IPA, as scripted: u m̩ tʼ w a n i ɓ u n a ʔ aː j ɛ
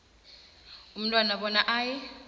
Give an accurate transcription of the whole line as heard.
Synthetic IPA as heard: u m̩ tʼ w a n a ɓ ɔ n a ʔ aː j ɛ

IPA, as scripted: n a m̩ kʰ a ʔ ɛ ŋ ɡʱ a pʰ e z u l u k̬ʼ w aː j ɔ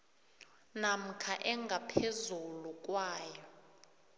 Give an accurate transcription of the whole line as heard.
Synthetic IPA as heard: n a m̩ kʰ a ʔ ɛ ŋ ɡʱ a pʰ e z u l u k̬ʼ w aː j ɔ

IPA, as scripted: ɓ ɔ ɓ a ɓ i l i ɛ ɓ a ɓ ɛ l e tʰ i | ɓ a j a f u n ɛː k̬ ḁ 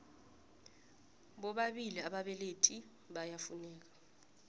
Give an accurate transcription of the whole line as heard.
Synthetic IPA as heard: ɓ ɔ ɓ a ɓ i l i a ɓ a ɓ ɛ l e tʰ i | ɓ a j a f u n ɛː k̬ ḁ

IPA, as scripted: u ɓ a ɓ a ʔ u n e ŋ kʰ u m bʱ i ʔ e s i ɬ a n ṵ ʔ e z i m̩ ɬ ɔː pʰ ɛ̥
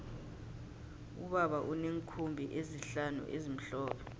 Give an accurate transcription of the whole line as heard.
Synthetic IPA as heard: u ɓ a ɓ a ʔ u n e ŋ kʰ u m bʱ i ʔ e z i ɬ a n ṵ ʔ e z i m̩ ɬ ɔː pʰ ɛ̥

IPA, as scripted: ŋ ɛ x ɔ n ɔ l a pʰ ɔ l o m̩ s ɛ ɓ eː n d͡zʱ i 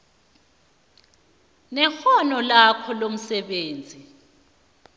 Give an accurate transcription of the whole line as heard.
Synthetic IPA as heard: n ɛ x ɔ n ɔ l a kʰ ɔ l o m̩ s ɛ ɓ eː n d͡zʱ i

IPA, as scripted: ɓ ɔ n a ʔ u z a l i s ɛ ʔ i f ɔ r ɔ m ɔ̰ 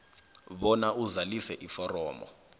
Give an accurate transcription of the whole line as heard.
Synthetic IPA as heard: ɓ ɔ n a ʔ u z a l i s ɛ ʔ i f ɔ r ɔː m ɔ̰

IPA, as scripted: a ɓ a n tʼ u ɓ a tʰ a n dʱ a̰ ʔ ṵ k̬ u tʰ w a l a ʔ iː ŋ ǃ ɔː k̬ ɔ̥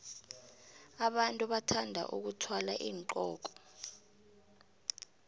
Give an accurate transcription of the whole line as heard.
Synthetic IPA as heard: a ɓ a n tʼ u ɓ a tʰ a n dʱ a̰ ʔ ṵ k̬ u tʰ w a l a ʔ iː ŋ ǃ ɔː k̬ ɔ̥

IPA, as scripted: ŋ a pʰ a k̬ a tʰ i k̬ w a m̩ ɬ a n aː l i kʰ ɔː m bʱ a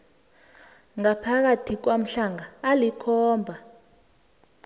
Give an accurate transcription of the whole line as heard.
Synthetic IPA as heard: ŋ a pʰ a k̬ a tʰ i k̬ w a m̩ ɬ a ŋ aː l i kʰ ɔː m bʱ a

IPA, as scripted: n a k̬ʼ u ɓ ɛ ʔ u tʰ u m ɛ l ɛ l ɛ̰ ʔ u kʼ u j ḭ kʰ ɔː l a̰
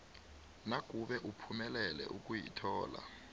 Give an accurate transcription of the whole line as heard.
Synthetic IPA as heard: n a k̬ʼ u ɓ ɛ ʔ u pʰ u m ɛ l ɛ l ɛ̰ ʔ u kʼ u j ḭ tʰ ɔː l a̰

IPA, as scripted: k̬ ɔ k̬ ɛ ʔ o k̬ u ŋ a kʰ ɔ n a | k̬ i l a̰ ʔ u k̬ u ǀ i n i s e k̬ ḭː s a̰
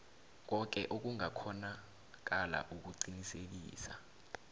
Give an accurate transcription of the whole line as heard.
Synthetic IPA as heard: k̬ ɔ k̬ ɛ ʔ o k̬ u ŋ a kʰ ɔ n a | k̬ a l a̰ ʔ u k̬ u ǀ i n i s e k̬ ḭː s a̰

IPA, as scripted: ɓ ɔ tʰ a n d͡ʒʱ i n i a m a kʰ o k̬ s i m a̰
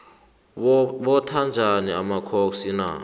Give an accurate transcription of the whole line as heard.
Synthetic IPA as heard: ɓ ɔ tʰ a n d͡ʒʱ a n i a m a kʰ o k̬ s i n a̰

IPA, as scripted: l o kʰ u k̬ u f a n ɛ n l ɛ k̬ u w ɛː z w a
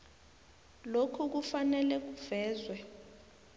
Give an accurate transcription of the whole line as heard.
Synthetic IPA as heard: l o kʰ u k̬ u f a n ɛ l ɛ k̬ u v ɛː z w ɛ

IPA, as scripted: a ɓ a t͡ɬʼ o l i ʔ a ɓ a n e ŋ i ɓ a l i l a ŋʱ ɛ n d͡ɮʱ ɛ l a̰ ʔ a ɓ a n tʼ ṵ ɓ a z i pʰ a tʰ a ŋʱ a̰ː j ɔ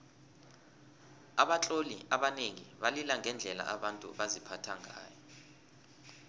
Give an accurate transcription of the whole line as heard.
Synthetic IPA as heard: a ɓ a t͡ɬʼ o l i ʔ a ɓ a n e ŋ i ɓ a l i l a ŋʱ ɛ n d͡ɮʱ ɛ l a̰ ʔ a ɓ a n tʼ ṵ ɓ a z i pʰ a tʰ a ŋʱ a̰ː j ɔ

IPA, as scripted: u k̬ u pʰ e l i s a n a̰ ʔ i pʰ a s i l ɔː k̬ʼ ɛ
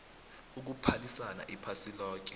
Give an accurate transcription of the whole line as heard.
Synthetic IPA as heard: u k̬ u pʰ a l i s a n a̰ ʔ i pʰ a s i l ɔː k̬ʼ ɛ

